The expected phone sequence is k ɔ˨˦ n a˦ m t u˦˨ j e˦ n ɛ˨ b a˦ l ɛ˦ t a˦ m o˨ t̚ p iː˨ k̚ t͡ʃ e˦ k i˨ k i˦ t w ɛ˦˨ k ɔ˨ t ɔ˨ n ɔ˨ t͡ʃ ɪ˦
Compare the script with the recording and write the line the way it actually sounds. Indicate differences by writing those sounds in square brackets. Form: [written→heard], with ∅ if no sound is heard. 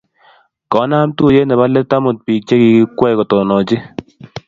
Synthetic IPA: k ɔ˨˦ n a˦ m t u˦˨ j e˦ n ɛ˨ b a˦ l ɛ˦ t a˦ m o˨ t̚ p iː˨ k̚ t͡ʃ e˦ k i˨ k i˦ [t→k] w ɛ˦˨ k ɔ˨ t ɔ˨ n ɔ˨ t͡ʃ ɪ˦